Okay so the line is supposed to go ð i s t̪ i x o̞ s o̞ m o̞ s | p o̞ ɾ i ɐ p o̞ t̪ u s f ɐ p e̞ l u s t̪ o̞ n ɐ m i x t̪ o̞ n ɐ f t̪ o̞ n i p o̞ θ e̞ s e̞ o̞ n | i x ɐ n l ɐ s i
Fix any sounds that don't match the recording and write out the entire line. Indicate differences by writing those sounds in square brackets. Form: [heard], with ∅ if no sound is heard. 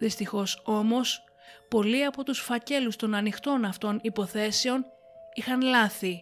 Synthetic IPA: ð i s t̪ i x o̞ s o̞ m o̞ s | p o̞ [l] i ɐ p o̞ t̪ u s f ɐ [c] e̞ l u s t̪ o̞ n ɐ [n] i x t̪ o̞ n ɐ f t̪ o̞ n i p o̞ θ e̞ s e̞ o̞ n | i x ɐ n l ɐ [θ] i